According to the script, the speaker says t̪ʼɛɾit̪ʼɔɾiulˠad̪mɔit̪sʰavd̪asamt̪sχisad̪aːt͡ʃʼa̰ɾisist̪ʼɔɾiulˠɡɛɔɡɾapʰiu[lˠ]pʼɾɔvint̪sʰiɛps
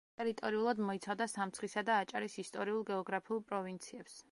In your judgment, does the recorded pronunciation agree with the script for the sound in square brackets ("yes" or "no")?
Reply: yes